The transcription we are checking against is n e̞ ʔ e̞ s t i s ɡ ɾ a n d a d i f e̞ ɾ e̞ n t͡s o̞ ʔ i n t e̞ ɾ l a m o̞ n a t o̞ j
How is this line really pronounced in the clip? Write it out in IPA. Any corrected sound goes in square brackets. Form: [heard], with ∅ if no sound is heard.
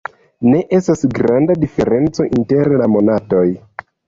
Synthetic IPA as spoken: n e̞ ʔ e̞ s t [a] s ɡ ɾ a n d a d i f e̞ ɾ e̞ n t͡s o̞ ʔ i n t e̞ ɾ l a m o̞ n a t o̞ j